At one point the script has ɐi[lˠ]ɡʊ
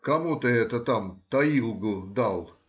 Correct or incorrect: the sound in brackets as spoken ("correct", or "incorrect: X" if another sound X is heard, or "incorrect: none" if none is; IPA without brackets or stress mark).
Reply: correct